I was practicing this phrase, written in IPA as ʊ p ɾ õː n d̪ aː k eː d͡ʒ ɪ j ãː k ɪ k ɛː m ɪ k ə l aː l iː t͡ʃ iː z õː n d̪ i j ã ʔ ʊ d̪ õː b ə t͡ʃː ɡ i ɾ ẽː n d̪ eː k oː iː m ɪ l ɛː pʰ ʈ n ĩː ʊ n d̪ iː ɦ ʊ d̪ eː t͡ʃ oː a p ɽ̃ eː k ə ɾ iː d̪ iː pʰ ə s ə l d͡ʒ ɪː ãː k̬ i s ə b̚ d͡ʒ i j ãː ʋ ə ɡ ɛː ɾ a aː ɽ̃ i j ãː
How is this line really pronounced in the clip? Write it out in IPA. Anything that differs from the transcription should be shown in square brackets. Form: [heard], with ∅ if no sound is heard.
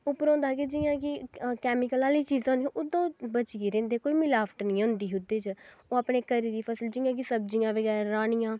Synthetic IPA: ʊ p ɾ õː n d̪ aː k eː d͡ʒ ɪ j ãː k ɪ k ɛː m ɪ k ə l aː l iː t͡ʃ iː z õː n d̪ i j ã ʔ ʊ d̪ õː b ə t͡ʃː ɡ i ɾ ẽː n d̪ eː k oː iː m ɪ l [aː] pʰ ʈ n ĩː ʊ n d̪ iː ɦ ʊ d̪ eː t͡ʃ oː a p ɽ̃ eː k ə ɾ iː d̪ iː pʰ ə s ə l d͡ʒ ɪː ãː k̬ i s ə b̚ d͡ʒ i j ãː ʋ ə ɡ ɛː ɾ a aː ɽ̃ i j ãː